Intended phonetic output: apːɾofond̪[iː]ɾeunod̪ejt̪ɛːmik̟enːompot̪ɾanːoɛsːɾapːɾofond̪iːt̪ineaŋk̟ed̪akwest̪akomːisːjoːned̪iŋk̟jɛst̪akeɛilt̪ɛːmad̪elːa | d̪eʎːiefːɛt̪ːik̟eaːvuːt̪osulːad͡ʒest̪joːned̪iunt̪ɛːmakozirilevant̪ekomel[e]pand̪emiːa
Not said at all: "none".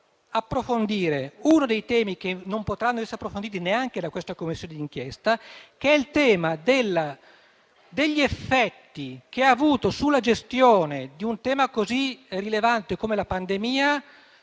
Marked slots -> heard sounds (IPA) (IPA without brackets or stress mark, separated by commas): iː, a